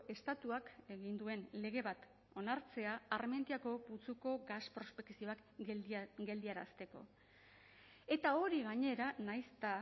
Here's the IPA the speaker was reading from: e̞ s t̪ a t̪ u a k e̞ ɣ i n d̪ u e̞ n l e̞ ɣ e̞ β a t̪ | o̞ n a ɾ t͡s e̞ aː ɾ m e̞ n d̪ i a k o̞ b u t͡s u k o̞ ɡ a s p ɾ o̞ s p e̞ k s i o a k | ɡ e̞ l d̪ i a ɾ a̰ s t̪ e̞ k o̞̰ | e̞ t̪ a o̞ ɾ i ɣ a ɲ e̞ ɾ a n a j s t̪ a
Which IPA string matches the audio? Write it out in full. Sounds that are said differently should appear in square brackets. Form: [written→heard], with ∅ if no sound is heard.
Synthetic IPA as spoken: e̞ s t̪ a t̪ u a k e̞ ɣ i n d̪ u e̞ n l e̞ ɣ e̞ β a t̪ | o̞ n a ɾ t͡s e̞ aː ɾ m e̞ n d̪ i a k o̞ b u t͡s u k o̞ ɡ a s p ɾ o̞ s p e̞ k s i o a k | ɡ e̞ l d̪ i a ɾ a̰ s t̪ e̞ k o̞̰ | e̞ t̪ a o̞ ɾ i ɣ a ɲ e̞ ɾ a n a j s t̪ a